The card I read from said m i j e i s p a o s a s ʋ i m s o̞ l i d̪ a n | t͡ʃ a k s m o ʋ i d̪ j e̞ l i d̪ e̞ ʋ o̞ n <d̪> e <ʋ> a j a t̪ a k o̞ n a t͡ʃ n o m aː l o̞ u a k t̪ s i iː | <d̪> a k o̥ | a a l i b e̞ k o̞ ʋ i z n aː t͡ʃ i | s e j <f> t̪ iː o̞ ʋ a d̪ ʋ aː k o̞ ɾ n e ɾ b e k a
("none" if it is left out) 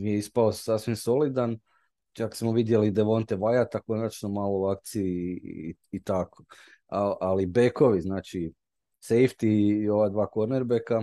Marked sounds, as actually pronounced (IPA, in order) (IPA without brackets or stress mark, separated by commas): t̪, ʋ, t̪, f